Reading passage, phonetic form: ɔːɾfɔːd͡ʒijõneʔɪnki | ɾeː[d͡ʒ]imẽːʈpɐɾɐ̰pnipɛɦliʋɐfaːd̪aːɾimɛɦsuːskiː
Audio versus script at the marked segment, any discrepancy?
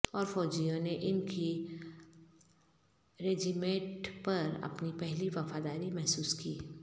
no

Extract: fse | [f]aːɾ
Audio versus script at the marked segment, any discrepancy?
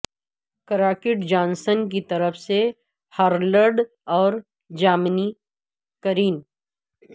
yes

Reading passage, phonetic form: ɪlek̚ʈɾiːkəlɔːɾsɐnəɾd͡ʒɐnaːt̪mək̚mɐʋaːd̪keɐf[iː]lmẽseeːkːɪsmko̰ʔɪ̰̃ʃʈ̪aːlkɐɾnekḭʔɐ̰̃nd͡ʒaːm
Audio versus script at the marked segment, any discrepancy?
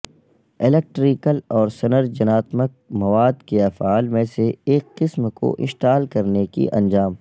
yes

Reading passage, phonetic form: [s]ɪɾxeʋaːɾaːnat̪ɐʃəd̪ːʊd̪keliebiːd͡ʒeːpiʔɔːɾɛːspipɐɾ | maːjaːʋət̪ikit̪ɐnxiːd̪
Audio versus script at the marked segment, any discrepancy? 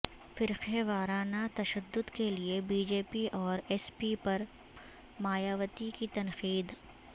yes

